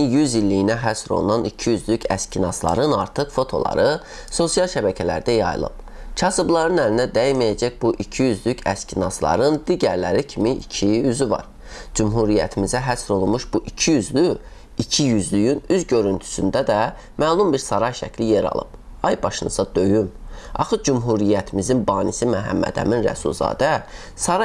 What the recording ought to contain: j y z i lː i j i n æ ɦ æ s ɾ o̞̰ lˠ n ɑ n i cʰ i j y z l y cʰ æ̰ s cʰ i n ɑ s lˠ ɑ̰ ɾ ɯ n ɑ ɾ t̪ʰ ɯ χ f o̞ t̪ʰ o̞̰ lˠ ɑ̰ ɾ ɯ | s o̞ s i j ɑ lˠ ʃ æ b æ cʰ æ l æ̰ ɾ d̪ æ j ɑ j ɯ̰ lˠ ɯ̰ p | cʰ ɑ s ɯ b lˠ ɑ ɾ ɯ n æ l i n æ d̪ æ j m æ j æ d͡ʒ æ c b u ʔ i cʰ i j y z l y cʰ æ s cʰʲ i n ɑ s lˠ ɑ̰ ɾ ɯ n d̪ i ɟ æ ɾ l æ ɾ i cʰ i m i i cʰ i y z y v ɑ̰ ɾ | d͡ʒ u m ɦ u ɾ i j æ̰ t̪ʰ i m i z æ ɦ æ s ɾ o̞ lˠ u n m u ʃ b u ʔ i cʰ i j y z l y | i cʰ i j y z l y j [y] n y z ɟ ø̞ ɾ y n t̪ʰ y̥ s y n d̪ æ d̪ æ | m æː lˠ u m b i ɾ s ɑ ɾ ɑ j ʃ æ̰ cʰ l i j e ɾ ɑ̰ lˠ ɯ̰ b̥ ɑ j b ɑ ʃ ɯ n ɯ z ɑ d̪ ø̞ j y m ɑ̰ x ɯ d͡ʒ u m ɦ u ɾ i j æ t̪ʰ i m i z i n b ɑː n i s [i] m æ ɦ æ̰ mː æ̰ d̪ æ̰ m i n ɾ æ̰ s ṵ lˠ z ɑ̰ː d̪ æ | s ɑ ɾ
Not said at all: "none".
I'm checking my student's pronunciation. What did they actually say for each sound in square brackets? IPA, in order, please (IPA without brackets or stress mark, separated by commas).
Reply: y, i